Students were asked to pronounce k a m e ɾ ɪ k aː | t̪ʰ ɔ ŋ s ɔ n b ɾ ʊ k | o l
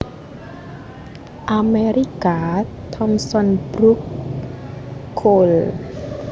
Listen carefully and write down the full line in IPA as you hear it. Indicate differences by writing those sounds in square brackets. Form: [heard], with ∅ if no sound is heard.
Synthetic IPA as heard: [ʔ] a m e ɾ [i] k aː | t̪ʰ ɔ [m] s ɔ n b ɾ [u] k | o l